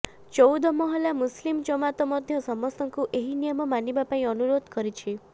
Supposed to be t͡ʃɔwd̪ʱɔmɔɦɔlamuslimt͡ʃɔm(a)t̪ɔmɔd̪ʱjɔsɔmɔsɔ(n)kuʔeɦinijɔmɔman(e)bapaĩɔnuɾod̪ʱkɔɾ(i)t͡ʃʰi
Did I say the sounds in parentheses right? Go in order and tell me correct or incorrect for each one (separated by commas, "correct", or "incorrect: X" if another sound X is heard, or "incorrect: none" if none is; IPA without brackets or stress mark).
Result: correct, incorrect: ŋ, incorrect: i, correct